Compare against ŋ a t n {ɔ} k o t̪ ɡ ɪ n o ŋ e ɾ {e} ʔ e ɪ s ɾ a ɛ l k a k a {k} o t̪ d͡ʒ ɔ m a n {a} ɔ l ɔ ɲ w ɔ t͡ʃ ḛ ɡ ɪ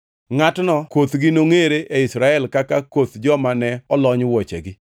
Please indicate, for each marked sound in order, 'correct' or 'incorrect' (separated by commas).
correct, correct, correct, incorrect